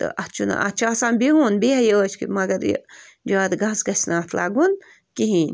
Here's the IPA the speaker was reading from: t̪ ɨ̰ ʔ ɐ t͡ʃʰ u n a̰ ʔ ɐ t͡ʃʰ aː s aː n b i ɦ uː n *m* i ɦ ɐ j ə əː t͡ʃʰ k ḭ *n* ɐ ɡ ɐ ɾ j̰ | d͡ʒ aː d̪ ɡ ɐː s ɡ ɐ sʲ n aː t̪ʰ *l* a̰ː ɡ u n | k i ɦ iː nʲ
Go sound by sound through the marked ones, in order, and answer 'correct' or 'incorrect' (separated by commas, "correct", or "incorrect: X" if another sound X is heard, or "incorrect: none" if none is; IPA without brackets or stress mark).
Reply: incorrect: b, incorrect: m, correct